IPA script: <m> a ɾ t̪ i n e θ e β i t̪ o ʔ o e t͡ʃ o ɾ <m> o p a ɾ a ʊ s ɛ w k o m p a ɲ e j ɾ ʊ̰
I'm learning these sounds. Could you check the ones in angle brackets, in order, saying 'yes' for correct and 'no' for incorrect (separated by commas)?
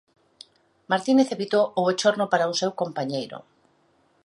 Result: yes, no